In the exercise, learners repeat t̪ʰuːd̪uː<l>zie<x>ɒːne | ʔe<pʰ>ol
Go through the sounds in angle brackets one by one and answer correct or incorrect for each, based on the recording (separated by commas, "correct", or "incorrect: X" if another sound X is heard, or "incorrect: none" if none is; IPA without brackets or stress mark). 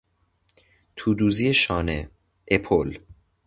incorrect: none, incorrect: ʃ, correct